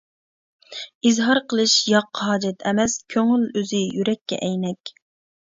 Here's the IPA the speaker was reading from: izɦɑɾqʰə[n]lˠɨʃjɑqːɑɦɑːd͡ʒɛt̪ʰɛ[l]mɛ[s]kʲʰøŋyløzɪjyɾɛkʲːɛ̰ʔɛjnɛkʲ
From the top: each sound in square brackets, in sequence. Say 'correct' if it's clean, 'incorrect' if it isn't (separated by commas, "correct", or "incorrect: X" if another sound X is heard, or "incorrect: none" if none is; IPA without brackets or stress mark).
incorrect: none, incorrect: none, correct